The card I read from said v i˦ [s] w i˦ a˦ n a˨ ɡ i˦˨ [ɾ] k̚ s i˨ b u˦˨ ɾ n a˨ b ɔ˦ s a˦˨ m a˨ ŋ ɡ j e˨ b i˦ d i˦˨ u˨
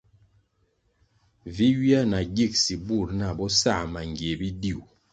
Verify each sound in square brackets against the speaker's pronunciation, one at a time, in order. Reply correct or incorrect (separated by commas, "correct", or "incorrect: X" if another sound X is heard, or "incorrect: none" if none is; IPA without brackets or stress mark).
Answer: incorrect: none, incorrect: none